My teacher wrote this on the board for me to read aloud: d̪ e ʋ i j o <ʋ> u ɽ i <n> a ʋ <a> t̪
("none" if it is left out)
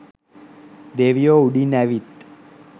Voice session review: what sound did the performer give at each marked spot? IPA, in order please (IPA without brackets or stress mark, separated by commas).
none, n, i